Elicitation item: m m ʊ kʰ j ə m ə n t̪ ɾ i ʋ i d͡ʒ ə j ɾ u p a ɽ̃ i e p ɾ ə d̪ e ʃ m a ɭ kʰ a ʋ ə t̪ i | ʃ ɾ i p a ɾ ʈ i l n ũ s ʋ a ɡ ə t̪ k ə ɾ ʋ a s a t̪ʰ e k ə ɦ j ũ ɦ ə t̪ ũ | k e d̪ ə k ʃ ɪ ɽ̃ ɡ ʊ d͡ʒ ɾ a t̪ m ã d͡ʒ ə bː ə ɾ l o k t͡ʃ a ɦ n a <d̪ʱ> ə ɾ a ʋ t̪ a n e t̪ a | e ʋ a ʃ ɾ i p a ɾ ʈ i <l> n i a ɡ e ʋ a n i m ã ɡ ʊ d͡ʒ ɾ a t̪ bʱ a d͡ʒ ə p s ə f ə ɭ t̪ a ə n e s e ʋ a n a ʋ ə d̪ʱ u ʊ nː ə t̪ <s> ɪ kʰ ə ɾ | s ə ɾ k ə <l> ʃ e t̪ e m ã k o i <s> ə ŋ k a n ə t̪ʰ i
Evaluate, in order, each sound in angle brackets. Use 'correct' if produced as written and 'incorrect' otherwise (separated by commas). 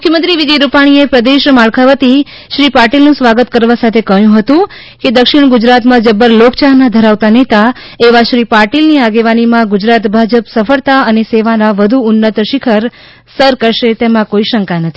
correct, correct, incorrect, incorrect, incorrect